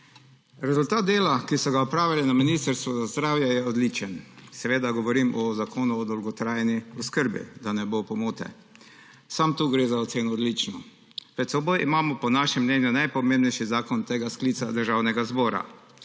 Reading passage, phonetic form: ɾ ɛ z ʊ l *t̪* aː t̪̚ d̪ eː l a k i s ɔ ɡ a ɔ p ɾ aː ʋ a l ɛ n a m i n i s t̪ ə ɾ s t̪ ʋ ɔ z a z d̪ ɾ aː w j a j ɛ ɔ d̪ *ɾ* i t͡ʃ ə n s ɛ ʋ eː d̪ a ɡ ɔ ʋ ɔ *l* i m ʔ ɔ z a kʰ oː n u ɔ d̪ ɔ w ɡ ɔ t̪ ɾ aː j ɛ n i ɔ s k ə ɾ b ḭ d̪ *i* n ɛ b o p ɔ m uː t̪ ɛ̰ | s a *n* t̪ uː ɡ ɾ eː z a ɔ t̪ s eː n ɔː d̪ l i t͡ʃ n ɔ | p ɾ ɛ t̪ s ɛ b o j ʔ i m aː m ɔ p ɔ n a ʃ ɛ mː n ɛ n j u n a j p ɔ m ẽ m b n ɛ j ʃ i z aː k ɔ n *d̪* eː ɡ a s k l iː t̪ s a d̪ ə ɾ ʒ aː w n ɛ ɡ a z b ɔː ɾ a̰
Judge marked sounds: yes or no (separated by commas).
yes, no, no, no, no, no